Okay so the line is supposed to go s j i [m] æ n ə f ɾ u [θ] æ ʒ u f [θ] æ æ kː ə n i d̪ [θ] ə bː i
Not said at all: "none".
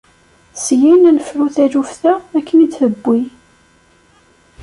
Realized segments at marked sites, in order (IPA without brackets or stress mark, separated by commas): n, θ, θ, θ